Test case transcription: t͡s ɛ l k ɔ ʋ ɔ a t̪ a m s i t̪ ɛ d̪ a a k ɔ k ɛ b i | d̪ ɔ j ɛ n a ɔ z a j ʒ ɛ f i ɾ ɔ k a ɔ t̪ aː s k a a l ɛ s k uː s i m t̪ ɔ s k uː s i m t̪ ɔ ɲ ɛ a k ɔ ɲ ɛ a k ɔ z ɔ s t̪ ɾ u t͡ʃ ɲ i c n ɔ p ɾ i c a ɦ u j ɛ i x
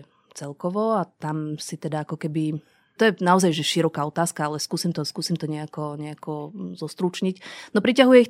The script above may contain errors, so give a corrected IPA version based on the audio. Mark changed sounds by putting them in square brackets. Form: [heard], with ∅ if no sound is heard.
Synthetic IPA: t͡s ɛ l k ɔ ʋ ɔ a t̪ a m s i t̪ ɛ d̪ a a k ɔ k ɛ b i | [t̪] ɔ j ɛ n a ɔ z a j ʒ ɛ [ʃ] i ɾ ɔ k a ɔ t̪ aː s k a a l ɛ s k uː s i m t̪ ɔ s k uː s i m t̪ ɔ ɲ ɛ a k ɔ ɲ ɛ a k ɔ z ɔ s t̪ ɾ u t͡ʃ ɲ i c n ɔ p ɾ i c a ɦ u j ɛ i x